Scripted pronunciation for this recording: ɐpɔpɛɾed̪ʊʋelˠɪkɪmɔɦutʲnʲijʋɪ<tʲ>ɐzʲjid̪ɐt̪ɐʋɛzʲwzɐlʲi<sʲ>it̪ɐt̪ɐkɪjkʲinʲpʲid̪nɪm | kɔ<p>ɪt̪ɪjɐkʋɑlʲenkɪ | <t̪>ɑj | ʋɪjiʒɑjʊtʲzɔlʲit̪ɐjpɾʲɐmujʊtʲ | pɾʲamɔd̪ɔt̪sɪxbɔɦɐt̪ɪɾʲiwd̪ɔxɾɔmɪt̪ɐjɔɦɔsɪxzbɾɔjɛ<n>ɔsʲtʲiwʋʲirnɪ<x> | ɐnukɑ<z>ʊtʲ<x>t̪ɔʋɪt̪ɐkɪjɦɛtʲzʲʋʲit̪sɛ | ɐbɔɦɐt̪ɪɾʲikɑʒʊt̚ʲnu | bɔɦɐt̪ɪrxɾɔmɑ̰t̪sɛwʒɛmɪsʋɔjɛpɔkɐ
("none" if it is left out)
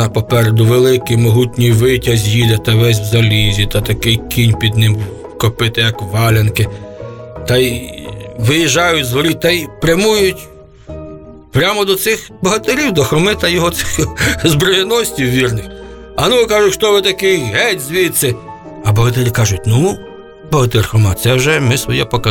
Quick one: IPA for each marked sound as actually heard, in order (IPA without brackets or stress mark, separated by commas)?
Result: tʲ, zʲ, p, t̪, n, x, ʒ, ʃ